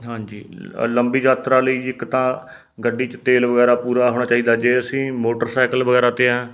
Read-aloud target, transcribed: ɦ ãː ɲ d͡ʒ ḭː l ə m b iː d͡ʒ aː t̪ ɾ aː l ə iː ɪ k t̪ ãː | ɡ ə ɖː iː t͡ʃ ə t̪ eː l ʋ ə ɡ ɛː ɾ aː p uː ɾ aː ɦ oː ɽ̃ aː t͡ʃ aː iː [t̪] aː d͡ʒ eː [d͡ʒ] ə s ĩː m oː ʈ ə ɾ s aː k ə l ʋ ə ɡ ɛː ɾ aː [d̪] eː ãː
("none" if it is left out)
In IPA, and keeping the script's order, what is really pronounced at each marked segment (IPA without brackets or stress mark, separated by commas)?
d̪, none, t̪